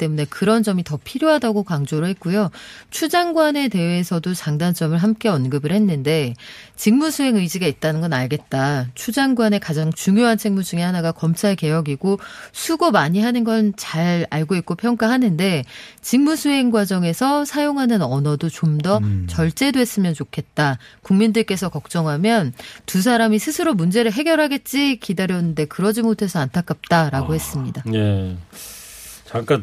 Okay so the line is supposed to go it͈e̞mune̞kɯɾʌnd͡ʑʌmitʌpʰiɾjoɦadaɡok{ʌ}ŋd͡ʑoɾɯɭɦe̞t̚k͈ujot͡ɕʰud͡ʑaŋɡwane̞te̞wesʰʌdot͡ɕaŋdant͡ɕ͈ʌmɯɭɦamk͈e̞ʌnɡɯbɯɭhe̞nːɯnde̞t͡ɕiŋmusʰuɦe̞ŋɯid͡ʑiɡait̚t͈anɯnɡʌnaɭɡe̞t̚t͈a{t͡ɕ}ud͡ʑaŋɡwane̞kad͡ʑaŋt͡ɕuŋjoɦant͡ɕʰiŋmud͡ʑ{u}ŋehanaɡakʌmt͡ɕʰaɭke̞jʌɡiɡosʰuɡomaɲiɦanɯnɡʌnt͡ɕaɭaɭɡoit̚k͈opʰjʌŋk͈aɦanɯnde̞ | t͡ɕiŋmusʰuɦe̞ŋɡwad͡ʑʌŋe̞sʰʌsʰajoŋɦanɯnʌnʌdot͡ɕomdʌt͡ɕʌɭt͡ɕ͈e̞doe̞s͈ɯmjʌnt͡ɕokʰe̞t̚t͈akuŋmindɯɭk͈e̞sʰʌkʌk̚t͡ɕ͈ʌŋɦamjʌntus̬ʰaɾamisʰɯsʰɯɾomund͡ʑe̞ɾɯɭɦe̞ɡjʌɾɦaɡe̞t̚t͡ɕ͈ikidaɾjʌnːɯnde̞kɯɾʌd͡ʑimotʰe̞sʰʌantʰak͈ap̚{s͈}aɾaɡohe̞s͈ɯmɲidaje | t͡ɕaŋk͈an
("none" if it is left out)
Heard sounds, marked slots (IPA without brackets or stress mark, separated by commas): a, t͡ɕʰ, u, t͈